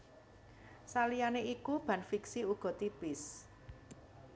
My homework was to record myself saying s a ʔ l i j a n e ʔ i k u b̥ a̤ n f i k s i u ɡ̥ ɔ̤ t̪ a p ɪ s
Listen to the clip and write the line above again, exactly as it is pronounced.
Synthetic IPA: s a l i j a n e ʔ i k u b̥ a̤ n f i k s i u ɡ̥ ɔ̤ t̪ i p ɪ s